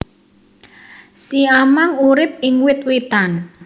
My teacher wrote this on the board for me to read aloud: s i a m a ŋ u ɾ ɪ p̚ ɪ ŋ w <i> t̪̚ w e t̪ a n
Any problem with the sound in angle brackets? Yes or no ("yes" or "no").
yes